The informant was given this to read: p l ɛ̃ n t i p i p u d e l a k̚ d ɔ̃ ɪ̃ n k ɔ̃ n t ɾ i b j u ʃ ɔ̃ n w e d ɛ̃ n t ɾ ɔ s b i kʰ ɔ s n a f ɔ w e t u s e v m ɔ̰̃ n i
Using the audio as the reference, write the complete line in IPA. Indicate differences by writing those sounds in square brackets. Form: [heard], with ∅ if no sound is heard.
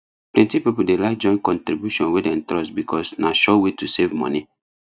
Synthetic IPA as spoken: p l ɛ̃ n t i p i p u d e l a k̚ [d͡ʒ] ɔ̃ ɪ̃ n k ɔ̃ n t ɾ i b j u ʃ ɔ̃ n w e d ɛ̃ n t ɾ ɔ s b i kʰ ɔ s n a [ʃ] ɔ w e t u s e v m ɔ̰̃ n i